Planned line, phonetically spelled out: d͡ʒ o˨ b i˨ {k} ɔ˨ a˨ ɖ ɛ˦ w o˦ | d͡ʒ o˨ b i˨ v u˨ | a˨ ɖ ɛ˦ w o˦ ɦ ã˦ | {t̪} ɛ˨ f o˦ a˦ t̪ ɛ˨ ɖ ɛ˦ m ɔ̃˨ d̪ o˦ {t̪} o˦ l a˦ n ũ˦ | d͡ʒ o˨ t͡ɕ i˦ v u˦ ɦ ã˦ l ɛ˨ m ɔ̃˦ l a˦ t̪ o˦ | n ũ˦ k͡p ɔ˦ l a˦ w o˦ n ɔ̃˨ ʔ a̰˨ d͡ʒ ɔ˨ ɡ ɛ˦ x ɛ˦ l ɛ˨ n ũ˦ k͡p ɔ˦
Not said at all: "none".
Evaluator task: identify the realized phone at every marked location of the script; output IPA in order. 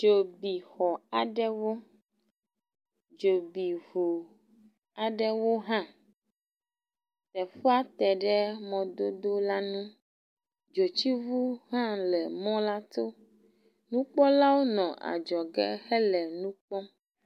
x, t̪, d̪

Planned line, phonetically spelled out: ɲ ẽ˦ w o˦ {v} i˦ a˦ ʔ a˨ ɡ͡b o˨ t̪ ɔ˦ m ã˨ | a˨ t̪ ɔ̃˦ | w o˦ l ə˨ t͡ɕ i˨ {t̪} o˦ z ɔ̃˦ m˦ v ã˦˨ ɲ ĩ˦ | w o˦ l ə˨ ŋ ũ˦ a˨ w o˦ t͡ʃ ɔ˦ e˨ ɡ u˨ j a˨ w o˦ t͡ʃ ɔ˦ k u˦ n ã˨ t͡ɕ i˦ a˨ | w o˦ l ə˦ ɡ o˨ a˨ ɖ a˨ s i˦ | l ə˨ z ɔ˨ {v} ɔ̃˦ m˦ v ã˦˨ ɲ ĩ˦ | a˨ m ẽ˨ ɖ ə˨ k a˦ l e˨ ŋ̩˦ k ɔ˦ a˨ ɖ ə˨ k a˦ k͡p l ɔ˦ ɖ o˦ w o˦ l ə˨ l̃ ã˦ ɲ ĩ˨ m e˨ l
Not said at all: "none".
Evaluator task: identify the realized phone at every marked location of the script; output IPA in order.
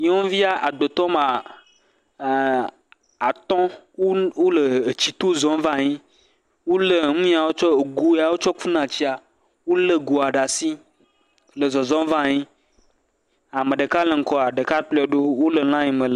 v, t̪, z

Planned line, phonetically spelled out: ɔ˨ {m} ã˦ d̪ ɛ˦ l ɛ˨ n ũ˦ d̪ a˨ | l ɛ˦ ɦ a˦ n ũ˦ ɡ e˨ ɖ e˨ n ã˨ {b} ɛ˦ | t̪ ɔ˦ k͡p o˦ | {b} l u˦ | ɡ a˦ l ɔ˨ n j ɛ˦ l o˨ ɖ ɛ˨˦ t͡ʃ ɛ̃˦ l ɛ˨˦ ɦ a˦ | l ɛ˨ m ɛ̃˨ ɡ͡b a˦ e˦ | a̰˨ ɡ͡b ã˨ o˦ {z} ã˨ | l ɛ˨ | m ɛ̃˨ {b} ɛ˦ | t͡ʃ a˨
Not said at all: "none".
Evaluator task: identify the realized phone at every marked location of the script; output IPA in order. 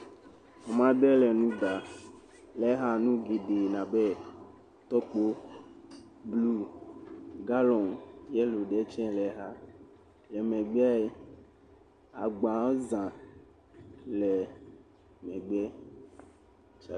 m, b, b, z, ɡ͡b

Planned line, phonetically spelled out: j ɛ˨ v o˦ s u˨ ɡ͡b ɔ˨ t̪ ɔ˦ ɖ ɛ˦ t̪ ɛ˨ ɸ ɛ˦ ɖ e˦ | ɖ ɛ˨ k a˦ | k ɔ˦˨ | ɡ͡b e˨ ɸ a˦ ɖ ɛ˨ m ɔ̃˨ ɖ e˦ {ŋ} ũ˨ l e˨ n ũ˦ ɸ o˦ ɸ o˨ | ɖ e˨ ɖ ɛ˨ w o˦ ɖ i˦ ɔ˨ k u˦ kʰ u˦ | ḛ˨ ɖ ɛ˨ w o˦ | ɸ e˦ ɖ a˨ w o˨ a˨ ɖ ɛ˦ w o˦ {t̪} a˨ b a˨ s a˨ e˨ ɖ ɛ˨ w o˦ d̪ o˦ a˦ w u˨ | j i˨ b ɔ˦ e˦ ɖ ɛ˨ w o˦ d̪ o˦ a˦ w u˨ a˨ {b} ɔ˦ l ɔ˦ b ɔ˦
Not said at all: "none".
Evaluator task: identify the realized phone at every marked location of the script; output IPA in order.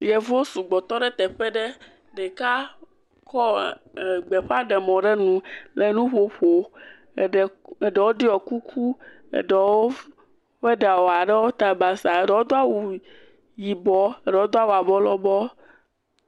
n, t̪, b

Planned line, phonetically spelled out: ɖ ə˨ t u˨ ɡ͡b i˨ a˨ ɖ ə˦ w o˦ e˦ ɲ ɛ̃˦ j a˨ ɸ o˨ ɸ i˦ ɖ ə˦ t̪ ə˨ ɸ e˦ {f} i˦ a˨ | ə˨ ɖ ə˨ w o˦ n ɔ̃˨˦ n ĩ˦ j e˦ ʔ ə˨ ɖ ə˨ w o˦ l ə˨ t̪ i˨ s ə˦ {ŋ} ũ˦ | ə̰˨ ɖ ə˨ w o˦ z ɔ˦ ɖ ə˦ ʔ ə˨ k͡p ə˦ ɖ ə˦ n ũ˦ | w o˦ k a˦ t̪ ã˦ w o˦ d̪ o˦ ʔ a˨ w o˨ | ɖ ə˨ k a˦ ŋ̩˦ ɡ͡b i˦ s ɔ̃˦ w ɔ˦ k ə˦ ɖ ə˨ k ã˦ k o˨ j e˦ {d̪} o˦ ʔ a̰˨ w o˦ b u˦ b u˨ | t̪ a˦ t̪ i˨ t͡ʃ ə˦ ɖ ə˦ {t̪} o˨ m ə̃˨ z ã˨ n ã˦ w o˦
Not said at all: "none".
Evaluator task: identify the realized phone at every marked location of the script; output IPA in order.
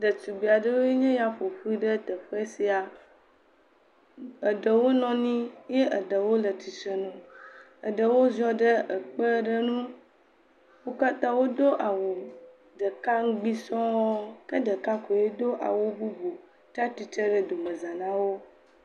s, n, d̪, d̪

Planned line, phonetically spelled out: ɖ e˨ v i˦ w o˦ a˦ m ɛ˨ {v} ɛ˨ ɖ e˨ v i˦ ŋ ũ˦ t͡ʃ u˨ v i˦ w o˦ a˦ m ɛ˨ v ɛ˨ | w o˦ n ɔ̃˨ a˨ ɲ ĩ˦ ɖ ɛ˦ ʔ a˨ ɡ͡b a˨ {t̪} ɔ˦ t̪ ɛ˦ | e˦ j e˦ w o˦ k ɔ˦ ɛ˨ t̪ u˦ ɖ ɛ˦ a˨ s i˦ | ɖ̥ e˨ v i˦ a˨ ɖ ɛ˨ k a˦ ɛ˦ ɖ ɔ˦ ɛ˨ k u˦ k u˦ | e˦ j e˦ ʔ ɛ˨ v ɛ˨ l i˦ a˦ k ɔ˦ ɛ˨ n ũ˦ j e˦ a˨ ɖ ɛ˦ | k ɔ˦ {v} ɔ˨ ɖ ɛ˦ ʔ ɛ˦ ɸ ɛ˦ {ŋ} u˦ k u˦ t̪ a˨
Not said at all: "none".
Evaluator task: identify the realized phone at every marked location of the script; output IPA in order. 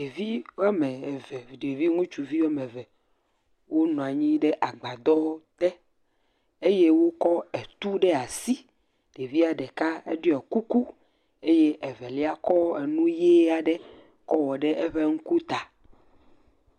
v, d̪, w, ŋ

